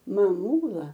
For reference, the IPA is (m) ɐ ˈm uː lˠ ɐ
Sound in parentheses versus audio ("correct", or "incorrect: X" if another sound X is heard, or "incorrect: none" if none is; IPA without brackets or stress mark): correct